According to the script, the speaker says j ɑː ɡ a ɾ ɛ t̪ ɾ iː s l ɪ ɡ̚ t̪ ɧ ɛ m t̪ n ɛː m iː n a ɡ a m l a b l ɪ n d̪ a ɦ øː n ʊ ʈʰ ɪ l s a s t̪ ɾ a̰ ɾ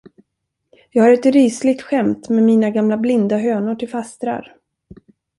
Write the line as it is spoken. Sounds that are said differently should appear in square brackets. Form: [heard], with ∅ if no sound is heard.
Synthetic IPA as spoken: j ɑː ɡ a ɾ ɛ t̪ ɾ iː s l ɪ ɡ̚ t̪ ɧ ɛ m t̪ [m] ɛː m iː n a ɡ a m l a b l ɪ n d̪ a ɦ øː n ʊ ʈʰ ɪ l [f] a s t̪ ɾ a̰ ɾ